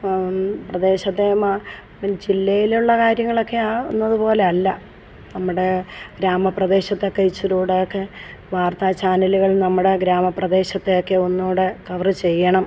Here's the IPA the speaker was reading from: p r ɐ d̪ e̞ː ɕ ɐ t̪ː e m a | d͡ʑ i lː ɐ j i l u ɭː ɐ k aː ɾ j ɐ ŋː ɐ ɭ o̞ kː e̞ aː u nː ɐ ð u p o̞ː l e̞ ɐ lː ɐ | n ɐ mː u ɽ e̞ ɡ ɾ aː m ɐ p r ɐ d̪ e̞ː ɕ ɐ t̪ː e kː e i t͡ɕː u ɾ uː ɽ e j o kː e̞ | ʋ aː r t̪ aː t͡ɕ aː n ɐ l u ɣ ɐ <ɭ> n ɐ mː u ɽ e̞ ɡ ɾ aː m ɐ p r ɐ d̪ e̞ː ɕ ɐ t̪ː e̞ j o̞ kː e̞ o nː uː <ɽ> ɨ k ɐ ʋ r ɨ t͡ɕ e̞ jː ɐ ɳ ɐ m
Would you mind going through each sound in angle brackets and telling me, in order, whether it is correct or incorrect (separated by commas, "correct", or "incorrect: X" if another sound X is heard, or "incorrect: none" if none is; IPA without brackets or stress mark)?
correct, correct